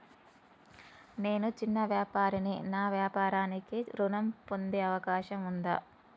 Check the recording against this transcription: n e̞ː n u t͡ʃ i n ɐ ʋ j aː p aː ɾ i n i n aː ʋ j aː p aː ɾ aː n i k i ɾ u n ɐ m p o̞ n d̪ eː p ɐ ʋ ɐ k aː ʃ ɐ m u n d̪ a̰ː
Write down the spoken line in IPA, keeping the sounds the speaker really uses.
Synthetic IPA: n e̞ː n u t͡ʃ i nː ɐ ʋ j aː p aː ɾ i n i n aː ʋ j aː p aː ɾ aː n i k i ɾ u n ɐ m p o̞ n d̪ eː ɐ ʋ ɐ k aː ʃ ɐ m u n d̪ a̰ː

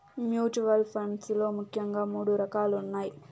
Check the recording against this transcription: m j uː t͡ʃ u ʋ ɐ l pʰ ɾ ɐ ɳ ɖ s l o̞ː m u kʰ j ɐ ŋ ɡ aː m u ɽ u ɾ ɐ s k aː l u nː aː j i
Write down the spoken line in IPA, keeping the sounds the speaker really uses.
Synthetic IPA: m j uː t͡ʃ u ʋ ɐ l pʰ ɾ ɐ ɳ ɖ s l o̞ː m u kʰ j ɐ ŋ ɡ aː m uː ɽ u ɾ ɐ k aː l u nː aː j i

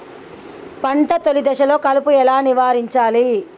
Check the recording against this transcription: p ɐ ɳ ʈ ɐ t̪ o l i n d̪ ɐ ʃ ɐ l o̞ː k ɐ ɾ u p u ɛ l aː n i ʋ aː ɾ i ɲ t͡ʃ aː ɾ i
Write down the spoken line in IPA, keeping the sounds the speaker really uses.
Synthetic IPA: p ɐ ɳ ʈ ɐ t̪ o l i d̪ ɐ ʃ ɐ l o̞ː k ɐ l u p u ɛ l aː n i ʋ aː ɾ i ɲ t͡ʃ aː l i

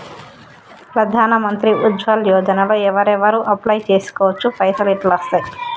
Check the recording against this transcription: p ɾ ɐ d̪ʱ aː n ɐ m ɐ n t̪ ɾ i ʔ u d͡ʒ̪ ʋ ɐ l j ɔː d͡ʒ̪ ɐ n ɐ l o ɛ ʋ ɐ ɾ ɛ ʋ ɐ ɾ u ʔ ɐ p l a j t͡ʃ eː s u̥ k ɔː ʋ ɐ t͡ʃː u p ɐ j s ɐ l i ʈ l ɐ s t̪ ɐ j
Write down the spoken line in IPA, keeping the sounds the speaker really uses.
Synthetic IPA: p ɾ ɐ d̪ʱ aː n ɐ m ɐ n t̪ ɾ i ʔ u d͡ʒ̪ ʋ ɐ l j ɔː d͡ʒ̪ ɐ n ɐ l o ɛ ʋ ɐ ɾ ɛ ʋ ɐ ɾ u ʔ ɐ p l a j t͡ʃ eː s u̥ k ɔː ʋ ɐ t͡ʃː u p ɐ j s ɐ l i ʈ l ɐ s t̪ ɐ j

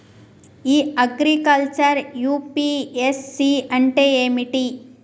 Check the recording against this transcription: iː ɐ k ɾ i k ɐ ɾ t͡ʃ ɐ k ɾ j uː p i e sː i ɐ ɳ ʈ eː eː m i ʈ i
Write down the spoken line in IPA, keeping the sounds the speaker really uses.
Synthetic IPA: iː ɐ ɡ ɾ i k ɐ l t͡ʃ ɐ ɾ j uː p i e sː i ɐ ɳ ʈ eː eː m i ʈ i

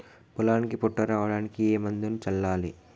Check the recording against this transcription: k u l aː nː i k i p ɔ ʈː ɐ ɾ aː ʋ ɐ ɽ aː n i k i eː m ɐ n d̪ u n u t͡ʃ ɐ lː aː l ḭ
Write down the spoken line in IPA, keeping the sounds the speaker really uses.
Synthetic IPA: p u l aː n i k i p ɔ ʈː ɐ ɾ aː ʋ ɐ ɽ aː n i k i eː m ɐ n d̪ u n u t͡ʃ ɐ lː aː l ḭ

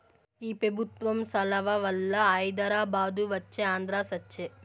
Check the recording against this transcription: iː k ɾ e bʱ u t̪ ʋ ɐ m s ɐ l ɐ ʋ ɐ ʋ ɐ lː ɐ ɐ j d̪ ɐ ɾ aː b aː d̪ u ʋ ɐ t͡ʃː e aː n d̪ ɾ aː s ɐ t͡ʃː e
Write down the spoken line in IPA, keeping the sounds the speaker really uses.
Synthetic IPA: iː p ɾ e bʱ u t̪ ʋ ɐ m s ɐ l ɐ ʋ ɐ ʋ ɐ lː ɐ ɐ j d̪ ɐ ɾ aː b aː d̪ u ʋ ɐ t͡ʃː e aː n d̪ ɾ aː s ɐ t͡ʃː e

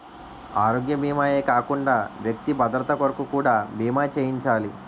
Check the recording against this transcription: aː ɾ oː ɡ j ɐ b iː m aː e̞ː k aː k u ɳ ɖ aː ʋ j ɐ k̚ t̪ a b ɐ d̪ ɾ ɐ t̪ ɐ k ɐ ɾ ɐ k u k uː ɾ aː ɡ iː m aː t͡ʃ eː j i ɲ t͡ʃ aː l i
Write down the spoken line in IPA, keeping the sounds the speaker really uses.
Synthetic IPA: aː ɾ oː ɡ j ɐ b iː m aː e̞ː k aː k u ɳ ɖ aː ʋ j ɐ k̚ t̪ i b ɐ d̪ ɾ ɐ t̪ ɐ k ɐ ɾ ɐ k u k uː ɽ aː b iː m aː t͡ʃ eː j i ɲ t͡ʃ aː l i

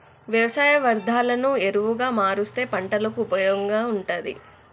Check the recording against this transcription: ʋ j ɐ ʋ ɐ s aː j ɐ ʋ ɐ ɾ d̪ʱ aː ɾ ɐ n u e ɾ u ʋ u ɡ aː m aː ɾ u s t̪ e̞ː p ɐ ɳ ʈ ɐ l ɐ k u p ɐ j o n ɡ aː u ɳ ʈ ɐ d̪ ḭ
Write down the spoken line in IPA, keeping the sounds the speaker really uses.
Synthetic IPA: ʋ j ɐ ʋ ɐ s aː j ɐ ʋ ɐ ɾ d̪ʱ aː l ɐ n u e ɾ u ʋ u ɡ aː m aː ɾ u s t̪ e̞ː p ɐ ɳ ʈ ɐ l ɐ k u p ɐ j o ŋ ɡ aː u ɳ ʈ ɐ d̪ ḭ

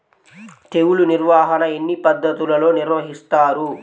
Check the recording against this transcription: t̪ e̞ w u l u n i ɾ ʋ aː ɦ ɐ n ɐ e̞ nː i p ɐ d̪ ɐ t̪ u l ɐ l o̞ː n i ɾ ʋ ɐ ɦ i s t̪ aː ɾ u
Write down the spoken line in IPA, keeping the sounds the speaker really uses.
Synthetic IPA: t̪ e̞ w u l u n i ɾ ʋ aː ɦ ɐ n ɐ e̞ nː i p ɐ d̪ː ɐ t̪ u l ɐ l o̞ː n i ɾ ʋ ɐ ɦ i s t̪ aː ɾ u

